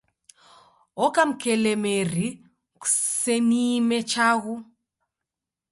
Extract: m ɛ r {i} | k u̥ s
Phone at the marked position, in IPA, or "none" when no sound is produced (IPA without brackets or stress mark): i